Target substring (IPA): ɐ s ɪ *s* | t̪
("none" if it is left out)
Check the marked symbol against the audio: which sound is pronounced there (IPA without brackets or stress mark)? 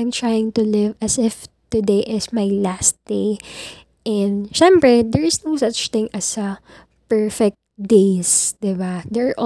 f